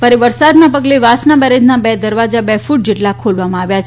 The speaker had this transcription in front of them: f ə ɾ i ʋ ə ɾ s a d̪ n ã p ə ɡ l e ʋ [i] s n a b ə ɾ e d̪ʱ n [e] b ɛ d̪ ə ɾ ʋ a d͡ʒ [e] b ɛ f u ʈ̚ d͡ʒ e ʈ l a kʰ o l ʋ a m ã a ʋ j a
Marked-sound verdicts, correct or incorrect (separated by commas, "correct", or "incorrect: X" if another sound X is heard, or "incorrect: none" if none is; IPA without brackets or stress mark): incorrect: a, incorrect: a, incorrect: a